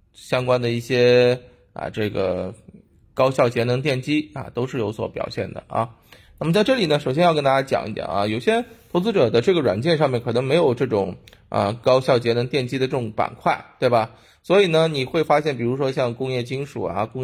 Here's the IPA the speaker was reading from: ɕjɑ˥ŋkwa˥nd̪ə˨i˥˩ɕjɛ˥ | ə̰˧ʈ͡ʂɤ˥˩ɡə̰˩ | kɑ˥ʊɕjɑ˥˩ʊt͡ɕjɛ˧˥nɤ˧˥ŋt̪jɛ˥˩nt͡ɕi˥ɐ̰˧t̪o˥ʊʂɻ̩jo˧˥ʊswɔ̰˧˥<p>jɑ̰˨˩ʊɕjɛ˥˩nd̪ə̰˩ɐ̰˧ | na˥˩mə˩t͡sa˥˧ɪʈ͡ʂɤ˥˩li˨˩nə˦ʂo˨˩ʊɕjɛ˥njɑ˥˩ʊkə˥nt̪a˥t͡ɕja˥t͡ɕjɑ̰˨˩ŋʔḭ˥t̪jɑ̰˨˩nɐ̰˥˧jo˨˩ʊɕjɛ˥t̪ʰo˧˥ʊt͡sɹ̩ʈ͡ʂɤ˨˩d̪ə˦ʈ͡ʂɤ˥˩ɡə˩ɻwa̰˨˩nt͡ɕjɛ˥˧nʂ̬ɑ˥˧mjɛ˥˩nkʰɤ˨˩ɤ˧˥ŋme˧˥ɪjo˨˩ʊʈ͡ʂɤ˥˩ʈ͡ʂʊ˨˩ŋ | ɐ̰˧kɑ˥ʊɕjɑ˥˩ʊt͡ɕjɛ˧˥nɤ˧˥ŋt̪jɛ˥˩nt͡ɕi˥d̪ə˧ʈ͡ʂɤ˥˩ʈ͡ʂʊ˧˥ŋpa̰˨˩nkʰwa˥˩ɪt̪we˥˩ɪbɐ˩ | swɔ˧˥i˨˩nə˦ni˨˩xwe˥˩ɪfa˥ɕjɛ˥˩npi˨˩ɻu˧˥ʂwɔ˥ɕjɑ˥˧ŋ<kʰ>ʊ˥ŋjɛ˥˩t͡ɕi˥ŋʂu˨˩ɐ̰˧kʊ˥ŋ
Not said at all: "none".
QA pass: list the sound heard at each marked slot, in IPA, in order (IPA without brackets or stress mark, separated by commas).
p, k